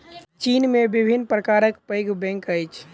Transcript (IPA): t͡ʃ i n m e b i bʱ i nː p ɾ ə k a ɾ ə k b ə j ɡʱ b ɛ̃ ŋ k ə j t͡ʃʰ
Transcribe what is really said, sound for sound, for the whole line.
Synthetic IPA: t͡ʃ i n m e b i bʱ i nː p ɾ ə k a ɾ ə k p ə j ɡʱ b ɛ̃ ŋ k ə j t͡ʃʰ